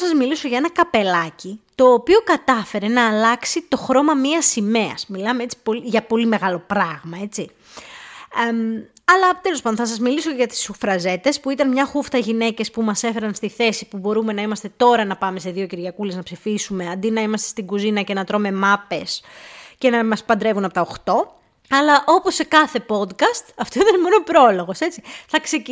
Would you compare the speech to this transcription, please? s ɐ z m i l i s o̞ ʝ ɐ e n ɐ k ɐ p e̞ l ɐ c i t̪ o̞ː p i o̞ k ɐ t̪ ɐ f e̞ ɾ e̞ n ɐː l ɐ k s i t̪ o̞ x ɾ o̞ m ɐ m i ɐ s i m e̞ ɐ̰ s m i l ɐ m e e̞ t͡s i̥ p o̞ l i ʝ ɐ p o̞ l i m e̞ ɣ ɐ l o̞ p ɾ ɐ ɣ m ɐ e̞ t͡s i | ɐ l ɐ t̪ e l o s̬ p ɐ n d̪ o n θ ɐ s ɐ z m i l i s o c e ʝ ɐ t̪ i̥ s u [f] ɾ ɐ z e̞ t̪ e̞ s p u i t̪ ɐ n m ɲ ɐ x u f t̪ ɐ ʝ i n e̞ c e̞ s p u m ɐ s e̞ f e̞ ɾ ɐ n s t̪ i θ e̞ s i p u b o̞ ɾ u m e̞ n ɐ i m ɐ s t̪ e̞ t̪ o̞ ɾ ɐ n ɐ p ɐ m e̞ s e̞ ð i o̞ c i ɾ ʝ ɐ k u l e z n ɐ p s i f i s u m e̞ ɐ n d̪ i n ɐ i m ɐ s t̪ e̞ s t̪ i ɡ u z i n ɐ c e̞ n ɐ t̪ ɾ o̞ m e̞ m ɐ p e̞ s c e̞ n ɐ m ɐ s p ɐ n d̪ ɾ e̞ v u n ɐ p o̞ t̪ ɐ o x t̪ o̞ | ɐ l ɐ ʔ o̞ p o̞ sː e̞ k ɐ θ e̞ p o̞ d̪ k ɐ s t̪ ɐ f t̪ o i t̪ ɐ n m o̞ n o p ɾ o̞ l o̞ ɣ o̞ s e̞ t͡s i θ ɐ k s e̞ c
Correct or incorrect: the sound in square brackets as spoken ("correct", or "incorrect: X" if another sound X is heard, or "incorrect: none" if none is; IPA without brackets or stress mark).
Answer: correct